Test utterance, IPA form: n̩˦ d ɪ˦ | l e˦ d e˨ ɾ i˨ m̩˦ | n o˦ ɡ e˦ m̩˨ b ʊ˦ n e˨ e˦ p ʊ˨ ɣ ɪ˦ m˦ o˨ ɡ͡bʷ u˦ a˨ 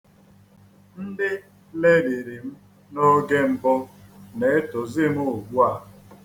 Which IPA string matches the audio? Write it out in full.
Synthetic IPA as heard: n̩˦ d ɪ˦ | l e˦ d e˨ ɾ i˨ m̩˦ | n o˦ ɡ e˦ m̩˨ b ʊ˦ n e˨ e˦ t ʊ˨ z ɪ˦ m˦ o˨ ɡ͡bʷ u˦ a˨

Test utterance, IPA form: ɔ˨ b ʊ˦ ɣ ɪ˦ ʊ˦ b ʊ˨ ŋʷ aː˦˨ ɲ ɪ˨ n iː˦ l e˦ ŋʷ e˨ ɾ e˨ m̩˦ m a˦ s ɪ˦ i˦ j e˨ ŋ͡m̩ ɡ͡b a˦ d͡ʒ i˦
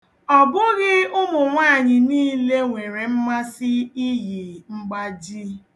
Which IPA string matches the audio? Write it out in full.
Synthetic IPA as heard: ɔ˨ b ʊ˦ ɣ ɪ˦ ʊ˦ m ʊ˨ ŋʷ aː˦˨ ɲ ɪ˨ n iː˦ l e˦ ŋʷ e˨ ɾ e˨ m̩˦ m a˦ s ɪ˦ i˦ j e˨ ŋ͡m̩ ɡ͡b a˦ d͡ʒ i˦

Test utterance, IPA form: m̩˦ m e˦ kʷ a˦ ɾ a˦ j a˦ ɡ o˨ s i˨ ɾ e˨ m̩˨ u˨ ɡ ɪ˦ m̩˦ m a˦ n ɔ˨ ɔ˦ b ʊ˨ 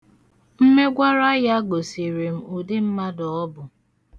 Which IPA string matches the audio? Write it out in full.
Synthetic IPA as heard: m̩˦ m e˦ ɡʷ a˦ ɾ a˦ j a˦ ɡ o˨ s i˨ ɾ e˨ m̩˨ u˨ d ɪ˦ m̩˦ m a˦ d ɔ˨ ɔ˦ b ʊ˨

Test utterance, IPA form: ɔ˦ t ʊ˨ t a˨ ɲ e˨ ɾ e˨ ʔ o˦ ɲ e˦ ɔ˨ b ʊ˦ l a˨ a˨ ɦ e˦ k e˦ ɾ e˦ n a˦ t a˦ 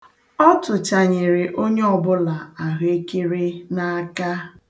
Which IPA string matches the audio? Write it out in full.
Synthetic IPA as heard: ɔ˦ t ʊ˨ t͡ʃ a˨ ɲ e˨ ɾ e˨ ʔ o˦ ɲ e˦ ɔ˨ b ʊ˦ l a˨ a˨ ɦ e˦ k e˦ ɾ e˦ n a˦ k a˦

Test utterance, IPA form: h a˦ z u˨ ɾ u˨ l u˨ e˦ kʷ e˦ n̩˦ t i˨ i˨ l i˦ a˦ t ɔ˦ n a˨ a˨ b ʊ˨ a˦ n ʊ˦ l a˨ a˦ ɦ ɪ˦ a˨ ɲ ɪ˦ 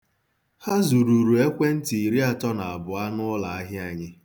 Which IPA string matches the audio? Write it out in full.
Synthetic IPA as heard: h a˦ z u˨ ɾ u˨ ɾ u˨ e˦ kʷ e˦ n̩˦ t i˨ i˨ ɾ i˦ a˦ t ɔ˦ n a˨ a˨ b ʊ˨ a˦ n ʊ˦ l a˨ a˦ ɦ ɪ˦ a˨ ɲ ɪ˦

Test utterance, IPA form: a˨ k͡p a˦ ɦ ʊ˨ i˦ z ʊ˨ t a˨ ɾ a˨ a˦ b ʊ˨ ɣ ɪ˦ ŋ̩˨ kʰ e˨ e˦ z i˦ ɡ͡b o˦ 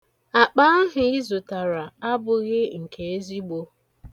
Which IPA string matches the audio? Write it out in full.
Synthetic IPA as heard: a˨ k͡p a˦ ɦ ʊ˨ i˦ z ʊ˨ t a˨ ɾ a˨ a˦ b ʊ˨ ɣ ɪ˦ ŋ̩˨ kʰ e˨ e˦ z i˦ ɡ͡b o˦

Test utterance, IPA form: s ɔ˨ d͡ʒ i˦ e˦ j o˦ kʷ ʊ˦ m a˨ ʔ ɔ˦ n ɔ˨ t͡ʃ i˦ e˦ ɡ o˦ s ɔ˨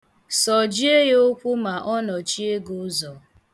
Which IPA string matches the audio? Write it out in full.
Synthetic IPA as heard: s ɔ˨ d͡ʒ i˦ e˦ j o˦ kʷ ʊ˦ m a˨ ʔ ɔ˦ n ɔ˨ t͡ʃ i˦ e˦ ɡ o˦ z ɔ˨

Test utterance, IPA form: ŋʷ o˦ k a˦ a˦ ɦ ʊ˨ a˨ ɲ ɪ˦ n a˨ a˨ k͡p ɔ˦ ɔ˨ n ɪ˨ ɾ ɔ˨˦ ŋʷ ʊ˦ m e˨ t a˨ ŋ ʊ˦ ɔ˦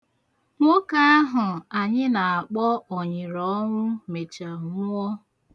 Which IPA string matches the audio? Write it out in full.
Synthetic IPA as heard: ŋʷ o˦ k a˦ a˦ ɦ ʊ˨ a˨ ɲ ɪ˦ n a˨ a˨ k͡p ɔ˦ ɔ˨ ɲ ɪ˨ ɾ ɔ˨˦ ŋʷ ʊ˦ m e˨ t͡ʃ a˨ ŋ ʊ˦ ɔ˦

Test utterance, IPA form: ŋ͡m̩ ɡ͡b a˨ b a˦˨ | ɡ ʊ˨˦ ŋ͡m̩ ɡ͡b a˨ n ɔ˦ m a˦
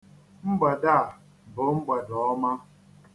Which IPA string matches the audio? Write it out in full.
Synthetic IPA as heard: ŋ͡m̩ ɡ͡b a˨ d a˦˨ | b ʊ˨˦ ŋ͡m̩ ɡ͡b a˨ d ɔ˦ m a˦

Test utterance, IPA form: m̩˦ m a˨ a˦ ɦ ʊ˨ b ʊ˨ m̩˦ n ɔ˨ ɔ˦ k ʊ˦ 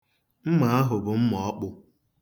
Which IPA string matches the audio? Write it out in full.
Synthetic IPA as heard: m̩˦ m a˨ a˦ ɦ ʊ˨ b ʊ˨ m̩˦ m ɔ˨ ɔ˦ k͡p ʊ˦

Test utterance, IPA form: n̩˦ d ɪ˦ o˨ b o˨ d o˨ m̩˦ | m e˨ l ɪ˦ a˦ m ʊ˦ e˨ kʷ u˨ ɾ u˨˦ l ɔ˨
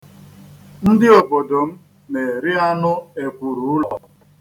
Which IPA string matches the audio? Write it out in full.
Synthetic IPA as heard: n̩˦ d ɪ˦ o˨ b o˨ d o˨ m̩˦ | n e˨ ɾ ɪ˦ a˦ n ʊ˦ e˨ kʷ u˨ ɾ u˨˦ l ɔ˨

